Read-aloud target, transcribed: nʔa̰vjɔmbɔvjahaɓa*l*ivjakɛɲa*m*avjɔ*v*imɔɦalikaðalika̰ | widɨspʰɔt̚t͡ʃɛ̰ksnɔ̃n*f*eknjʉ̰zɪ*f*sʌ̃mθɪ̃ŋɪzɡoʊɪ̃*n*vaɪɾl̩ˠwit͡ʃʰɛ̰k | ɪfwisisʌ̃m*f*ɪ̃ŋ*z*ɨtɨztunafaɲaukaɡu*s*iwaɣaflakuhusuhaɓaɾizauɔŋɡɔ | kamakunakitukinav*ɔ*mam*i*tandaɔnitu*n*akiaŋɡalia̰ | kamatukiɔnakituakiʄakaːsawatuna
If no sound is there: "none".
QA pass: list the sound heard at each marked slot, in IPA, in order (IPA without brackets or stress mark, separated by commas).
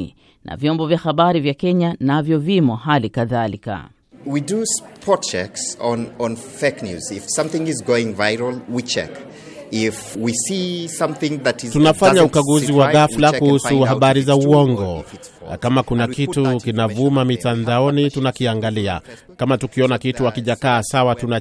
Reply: ɾ, n, v, f, f, ŋ, θ, ð, z, u, i, n